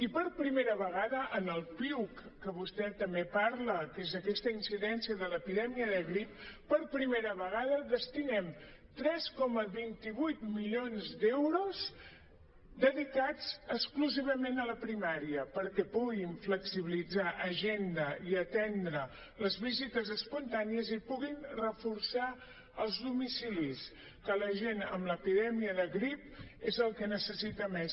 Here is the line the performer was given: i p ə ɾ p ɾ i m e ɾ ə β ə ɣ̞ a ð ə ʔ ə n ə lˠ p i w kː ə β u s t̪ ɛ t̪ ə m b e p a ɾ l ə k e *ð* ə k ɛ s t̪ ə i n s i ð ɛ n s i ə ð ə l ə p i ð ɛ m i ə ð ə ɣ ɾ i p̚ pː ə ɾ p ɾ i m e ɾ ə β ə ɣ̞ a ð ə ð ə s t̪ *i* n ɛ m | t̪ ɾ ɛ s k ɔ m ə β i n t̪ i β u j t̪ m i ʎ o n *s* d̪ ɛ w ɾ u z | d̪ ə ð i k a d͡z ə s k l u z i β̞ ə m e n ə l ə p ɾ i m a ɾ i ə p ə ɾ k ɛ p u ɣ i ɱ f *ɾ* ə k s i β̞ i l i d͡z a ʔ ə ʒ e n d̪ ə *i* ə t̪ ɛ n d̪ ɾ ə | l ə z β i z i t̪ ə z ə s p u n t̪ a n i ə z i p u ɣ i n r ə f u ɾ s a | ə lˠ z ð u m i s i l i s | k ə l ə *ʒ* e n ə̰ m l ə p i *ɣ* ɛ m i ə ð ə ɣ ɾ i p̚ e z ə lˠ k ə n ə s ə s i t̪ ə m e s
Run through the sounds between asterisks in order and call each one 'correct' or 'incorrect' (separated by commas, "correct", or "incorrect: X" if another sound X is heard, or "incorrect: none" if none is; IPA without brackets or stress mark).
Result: incorrect: z, correct, incorrect: z, incorrect: l, correct, correct, incorrect: ð